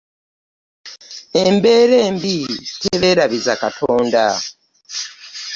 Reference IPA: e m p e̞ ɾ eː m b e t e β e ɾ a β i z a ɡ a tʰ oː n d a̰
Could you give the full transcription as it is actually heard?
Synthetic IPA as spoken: e m b e̞ ɾ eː m b i t e β e ɾ a β i z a k a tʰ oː n d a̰

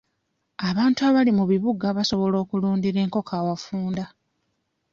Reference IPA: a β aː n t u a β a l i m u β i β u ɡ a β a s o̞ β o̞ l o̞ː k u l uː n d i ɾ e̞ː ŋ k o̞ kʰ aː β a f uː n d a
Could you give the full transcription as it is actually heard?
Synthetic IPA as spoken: a β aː n t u a β a l i m u β i β u ɡ a β a s o̞ β o̞ l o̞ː k u l uː n d i ɾ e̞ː ŋ k o̞ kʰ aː w a f uː n d a

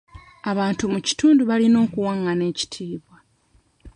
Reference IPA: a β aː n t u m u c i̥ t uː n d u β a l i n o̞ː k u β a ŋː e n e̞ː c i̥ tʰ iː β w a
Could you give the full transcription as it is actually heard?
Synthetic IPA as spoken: a β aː n t u m u c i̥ t uː n d u β a l i n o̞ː k u w a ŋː a n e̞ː c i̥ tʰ iː β w a

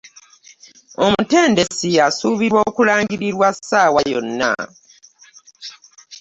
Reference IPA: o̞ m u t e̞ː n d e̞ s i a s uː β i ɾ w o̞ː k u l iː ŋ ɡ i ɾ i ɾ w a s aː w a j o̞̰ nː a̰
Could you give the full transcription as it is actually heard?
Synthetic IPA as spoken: o̞ m u t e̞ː n d e̞ s i a s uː β i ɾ w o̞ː k u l aː ŋ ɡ i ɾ i ɾ w a s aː w a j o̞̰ nː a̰

